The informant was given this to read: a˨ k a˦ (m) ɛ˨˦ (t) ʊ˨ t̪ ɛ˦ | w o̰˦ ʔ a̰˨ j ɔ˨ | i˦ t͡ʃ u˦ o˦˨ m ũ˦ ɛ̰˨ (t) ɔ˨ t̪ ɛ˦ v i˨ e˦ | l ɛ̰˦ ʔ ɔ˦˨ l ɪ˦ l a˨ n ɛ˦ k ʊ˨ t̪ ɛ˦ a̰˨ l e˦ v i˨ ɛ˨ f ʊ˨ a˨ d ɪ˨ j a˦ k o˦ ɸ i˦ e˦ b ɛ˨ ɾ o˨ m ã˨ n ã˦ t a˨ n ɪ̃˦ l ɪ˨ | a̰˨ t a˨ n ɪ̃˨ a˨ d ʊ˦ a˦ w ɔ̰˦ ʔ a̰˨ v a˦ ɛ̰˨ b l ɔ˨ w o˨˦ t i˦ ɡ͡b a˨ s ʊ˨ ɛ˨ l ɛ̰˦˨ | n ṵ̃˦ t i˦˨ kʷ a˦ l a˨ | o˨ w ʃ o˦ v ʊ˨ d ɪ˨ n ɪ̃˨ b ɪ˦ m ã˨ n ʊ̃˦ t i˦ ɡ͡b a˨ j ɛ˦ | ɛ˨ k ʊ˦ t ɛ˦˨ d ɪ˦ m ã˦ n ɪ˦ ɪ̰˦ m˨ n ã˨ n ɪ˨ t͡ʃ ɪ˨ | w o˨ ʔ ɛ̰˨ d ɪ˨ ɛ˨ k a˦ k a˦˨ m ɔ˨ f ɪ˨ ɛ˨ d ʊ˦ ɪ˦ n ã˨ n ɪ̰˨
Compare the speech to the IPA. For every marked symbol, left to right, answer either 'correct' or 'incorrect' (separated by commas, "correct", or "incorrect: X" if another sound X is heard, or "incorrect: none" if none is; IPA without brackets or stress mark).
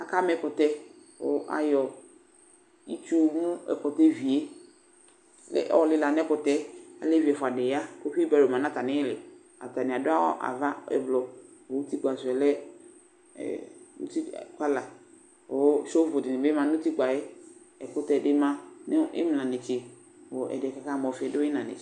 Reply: correct, incorrect: k, incorrect: k